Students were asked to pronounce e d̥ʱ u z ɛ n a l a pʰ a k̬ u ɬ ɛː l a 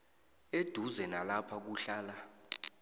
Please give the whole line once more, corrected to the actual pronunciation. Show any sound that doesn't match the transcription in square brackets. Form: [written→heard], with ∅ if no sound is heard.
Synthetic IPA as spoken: e d̥ʱ u z ɛ n a l a pʰ a k̬ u ɬ [ɛː→aː] l a